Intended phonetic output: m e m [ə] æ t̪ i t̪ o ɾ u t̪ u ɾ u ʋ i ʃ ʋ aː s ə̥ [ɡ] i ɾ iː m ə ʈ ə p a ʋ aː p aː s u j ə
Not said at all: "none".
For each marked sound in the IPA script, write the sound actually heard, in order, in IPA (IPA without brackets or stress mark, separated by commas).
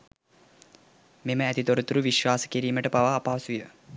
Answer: ə, k